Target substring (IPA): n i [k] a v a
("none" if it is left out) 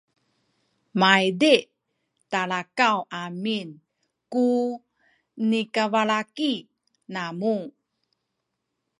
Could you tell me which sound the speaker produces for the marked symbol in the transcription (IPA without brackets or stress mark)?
k